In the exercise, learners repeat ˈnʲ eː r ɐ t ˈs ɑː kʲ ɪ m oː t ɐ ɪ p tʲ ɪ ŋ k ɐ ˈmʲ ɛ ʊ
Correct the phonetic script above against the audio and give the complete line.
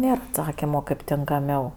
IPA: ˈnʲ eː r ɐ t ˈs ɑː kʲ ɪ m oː k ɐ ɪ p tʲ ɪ ŋ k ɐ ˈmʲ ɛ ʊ

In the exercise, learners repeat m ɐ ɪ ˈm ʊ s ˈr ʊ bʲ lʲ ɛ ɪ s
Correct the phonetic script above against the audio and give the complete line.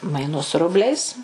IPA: m ɐ ɪ ˈn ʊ s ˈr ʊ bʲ lʲ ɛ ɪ s

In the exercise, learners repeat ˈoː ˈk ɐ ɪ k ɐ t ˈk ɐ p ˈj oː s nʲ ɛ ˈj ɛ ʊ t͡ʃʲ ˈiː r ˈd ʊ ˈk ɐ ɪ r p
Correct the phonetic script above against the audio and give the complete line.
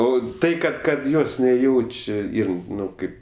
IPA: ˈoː ˈt ɐ ɪ k ɐ t ˈk ɐ t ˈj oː s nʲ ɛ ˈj ɛ ʊ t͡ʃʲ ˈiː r ˈn ʊ ˈk ɐ ɪ p

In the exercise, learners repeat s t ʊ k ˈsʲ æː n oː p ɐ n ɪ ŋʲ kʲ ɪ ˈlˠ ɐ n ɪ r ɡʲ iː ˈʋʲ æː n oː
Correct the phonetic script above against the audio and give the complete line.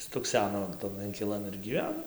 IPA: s t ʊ k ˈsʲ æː n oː t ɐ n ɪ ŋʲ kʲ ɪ ˈlˠ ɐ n ɪ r ɡʲ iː ˈʋʲ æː n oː

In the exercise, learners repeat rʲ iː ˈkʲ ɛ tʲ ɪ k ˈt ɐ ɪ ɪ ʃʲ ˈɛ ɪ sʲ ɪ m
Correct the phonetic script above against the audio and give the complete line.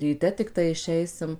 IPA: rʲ iː ˈtʲ ɛ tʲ ɪ k ˈt ɐ ɪ ɪ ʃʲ ˈɛ ɪ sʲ ɪ m

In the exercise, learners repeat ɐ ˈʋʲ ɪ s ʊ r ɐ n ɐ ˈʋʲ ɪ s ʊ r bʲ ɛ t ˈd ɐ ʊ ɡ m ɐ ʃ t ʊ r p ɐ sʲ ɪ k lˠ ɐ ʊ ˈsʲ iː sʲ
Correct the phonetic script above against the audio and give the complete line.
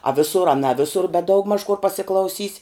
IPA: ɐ ˈʋʲ ɪ s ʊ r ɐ n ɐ ˈʋʲ ɪ s ʊ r bʲ ɛ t ˈd ɐ ʊ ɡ m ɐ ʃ k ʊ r p ɐ sʲ ɪ k lˠ ɐ ʊ ˈsʲ iː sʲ

